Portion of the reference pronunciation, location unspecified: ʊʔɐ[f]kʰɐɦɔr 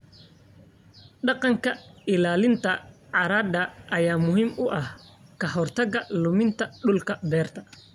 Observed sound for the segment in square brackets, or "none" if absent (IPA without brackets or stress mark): h